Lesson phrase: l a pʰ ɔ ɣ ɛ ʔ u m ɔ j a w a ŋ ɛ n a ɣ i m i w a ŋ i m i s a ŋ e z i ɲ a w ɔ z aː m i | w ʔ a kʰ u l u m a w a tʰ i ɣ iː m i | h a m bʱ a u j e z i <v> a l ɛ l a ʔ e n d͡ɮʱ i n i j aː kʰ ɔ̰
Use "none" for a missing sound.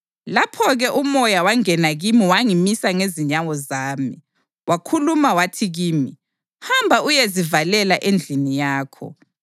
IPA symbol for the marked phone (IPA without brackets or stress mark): v